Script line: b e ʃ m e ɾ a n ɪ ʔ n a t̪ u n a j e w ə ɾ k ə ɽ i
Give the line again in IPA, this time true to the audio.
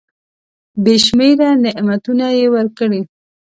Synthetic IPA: b e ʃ m e ɾ a n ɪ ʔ m a t̪ u n a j e w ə ɾ k ə ɽ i